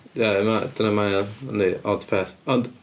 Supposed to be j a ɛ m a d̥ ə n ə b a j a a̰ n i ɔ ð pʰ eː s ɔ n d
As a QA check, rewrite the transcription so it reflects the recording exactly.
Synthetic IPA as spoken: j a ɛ m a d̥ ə n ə m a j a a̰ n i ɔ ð pʰ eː θ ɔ n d